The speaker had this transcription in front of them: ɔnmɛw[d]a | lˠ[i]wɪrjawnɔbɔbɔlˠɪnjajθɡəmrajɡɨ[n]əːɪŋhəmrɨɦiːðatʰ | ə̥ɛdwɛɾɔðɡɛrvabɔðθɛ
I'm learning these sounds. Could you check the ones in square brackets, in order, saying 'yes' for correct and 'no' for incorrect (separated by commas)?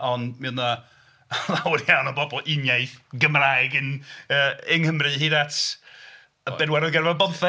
no, no, yes